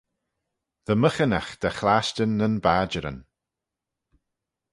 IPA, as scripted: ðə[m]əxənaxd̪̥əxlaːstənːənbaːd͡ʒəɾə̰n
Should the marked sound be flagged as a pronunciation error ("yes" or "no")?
no